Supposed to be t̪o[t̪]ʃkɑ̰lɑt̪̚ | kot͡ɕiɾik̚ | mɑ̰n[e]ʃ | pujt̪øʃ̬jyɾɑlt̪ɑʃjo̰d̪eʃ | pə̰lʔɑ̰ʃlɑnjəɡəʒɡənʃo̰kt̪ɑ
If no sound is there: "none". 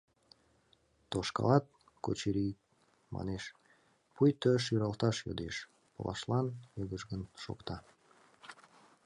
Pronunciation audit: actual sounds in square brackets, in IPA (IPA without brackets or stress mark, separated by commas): none, e